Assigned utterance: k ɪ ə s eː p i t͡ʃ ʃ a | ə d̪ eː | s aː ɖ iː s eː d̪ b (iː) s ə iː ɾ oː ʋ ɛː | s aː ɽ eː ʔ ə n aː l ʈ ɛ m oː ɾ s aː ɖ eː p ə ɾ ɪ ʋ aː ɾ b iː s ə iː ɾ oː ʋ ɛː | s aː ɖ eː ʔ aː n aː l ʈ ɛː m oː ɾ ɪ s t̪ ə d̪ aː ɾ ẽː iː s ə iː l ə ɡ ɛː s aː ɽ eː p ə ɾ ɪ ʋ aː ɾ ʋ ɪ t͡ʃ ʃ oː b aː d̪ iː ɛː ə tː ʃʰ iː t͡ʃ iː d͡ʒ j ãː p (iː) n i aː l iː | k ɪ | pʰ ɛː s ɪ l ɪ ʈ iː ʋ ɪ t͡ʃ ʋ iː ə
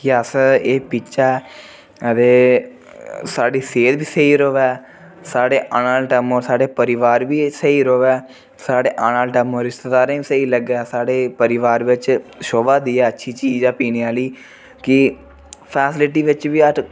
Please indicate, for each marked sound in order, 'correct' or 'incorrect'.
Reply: correct, correct

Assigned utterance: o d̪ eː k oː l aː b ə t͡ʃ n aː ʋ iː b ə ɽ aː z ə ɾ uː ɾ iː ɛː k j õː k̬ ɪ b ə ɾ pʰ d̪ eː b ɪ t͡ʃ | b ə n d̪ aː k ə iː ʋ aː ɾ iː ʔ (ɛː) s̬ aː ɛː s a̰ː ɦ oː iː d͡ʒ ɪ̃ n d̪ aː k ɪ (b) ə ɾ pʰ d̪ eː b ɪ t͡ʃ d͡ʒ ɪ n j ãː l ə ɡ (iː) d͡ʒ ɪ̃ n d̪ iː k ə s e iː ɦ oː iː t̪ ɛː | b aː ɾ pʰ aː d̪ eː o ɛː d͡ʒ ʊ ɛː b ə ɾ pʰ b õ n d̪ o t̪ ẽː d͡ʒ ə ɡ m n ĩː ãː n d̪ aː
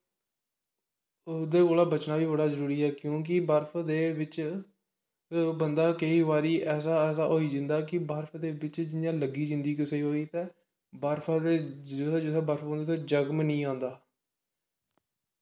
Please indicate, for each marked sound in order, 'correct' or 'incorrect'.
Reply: correct, correct, correct

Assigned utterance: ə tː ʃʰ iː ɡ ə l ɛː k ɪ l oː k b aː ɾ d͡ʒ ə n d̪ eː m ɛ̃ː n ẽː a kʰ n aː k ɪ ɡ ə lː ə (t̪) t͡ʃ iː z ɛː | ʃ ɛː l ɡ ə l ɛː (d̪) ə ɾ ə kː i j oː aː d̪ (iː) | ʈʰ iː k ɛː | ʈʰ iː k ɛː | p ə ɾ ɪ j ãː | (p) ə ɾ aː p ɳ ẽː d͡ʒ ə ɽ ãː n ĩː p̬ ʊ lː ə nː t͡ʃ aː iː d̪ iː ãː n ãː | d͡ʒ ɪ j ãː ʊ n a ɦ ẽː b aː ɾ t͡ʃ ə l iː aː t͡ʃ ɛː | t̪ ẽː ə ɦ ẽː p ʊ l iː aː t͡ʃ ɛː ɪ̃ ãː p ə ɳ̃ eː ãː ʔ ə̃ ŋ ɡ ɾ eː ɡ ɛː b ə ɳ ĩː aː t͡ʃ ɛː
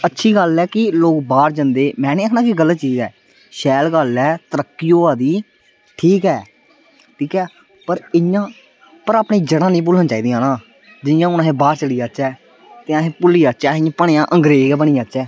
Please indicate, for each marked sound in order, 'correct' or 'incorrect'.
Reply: correct, incorrect: t̪, correct, correct

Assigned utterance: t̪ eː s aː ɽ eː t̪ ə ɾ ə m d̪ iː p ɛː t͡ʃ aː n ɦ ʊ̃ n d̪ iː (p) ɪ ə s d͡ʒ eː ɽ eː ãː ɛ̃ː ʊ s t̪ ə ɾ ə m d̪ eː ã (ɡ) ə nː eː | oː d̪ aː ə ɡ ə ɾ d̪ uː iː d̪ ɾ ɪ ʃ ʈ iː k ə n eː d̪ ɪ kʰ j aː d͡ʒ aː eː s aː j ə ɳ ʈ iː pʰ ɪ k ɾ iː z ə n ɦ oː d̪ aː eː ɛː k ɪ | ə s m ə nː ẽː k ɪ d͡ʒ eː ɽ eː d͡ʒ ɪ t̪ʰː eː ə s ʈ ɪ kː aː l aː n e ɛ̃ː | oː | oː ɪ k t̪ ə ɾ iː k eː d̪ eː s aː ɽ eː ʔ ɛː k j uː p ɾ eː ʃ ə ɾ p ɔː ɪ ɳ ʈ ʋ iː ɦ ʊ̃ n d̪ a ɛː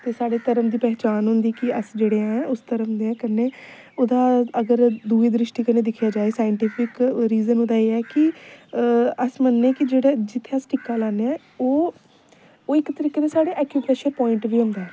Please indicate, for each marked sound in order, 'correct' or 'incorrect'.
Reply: incorrect: k, incorrect: k

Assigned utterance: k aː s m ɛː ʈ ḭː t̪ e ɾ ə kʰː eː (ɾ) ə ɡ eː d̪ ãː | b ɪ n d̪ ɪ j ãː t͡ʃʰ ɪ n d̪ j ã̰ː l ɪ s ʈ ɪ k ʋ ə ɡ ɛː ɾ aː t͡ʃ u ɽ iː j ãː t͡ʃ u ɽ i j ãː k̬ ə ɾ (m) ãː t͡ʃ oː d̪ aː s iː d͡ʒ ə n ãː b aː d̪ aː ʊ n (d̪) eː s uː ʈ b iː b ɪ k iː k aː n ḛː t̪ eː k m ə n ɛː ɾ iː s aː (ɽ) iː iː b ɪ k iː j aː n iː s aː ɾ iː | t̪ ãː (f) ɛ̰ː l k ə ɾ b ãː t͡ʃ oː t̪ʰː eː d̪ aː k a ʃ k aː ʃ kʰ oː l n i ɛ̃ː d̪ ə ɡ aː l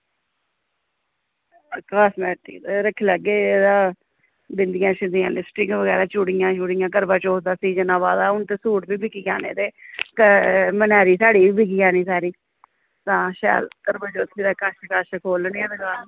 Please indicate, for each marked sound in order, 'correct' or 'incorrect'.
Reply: incorrect: l, incorrect: b, incorrect: t̪, correct, incorrect: ʃ

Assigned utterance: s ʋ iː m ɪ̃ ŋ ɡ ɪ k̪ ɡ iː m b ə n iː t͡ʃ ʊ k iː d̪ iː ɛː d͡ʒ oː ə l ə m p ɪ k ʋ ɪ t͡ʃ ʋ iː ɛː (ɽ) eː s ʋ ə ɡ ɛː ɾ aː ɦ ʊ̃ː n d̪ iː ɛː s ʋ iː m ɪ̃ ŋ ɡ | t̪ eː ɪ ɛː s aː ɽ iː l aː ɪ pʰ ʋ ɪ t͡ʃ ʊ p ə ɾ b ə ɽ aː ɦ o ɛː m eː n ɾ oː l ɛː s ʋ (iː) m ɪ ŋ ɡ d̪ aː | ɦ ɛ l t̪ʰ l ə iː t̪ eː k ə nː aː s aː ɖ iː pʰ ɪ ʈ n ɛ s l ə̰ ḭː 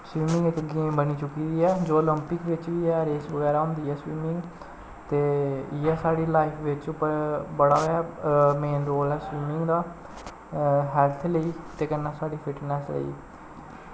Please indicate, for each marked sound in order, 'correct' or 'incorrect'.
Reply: incorrect: ɾ, correct

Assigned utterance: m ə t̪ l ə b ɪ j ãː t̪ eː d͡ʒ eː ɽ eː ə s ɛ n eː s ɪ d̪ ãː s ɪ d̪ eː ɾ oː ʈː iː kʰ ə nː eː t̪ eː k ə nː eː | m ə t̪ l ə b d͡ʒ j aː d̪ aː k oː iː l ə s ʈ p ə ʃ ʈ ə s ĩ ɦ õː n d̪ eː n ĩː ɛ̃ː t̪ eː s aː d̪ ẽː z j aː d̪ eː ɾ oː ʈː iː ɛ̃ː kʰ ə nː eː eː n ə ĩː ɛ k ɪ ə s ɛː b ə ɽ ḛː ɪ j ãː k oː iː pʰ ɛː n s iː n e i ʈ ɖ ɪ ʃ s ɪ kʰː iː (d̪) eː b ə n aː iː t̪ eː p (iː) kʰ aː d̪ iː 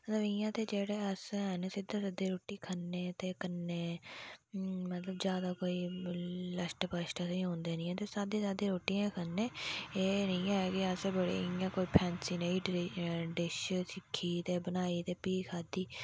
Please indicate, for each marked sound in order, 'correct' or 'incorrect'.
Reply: incorrect: t̪, correct

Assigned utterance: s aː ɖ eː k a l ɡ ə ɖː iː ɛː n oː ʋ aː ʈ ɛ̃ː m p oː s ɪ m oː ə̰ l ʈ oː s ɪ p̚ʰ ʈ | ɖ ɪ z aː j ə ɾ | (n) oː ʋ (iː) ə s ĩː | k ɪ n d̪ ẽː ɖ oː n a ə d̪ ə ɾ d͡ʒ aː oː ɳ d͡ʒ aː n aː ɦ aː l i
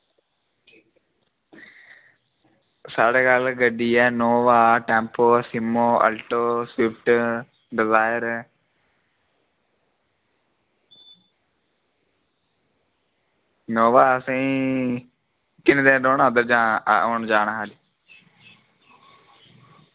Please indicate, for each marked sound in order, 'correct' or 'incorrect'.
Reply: correct, incorrect: aː

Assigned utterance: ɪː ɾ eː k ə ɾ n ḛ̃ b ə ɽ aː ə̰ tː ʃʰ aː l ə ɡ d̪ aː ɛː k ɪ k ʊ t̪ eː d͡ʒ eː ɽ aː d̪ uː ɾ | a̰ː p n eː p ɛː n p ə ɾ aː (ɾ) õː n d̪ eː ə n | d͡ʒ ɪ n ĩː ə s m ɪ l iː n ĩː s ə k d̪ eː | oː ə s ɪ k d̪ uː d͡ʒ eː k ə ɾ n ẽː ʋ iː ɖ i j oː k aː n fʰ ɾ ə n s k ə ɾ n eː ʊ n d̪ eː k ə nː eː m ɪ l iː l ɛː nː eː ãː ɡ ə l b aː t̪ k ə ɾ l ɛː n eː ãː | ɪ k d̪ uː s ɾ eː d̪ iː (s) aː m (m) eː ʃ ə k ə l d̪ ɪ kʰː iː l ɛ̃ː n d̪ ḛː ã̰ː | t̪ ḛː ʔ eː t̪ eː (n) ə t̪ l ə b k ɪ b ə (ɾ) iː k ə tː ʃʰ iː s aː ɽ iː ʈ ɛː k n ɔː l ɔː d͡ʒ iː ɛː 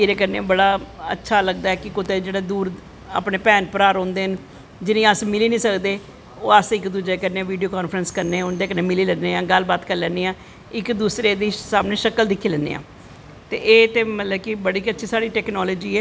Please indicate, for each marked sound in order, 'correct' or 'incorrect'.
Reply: correct, correct, incorrect: n, incorrect: m, incorrect: ɽ

